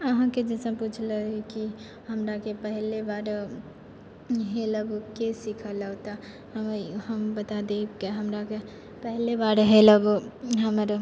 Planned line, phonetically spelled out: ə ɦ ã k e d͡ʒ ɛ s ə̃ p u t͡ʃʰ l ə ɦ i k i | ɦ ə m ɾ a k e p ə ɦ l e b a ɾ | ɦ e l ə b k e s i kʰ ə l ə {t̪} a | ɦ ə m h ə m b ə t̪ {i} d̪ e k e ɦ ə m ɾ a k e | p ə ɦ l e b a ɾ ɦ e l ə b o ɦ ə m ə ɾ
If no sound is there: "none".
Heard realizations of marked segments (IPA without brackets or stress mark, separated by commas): t̪, a